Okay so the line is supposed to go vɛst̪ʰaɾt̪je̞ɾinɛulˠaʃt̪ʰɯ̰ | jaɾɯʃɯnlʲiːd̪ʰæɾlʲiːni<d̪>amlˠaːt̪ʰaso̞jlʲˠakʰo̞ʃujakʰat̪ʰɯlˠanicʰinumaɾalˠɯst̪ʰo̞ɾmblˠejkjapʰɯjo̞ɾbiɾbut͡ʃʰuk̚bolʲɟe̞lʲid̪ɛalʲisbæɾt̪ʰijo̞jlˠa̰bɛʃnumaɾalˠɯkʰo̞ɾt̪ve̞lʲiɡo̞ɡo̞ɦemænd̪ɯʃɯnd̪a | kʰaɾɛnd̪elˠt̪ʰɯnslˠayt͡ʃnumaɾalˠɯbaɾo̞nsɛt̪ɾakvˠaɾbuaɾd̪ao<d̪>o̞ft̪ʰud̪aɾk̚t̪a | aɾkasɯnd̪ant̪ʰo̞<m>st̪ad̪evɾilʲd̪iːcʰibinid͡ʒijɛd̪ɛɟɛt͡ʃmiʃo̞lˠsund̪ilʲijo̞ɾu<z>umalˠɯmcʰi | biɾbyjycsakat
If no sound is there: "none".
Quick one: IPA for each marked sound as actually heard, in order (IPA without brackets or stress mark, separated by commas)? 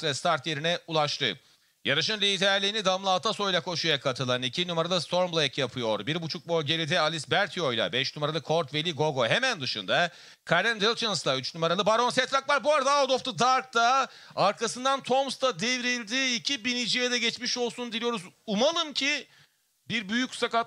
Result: d̪, d̪, m, z